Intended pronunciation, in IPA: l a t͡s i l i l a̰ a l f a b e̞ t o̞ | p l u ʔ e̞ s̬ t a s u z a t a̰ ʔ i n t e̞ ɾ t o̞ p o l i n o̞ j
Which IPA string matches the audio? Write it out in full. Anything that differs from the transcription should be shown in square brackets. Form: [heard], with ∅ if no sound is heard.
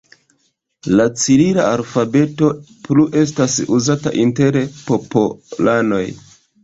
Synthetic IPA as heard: l a t͡s i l i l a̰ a l f a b e̞ t o̞ | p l u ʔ e̞ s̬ t a s u z a t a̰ ʔ i n t e̞ ɾ [p] o̞ p o l [a] n o̞ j